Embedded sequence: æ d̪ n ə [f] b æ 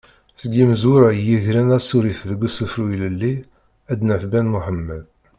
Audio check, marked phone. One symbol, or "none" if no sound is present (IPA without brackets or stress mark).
f